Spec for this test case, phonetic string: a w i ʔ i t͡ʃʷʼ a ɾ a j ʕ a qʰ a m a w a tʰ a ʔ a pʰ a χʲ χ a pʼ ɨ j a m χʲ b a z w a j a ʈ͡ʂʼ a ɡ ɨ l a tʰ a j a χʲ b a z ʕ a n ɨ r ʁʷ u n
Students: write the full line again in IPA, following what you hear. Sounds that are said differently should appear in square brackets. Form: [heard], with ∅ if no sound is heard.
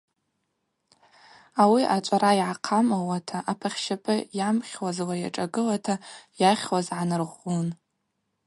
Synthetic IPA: a w i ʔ [a] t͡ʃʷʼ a ɾ a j ʕ a qʰ a m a w a tʰ a ʔ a pʰ a χʲ [ʃ] a pʼ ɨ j a m χʲ [w] a z w a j a ʈ͡ʂʼ a ɡ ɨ l a tʰ a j a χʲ [w] a z ʕ a n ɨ r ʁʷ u n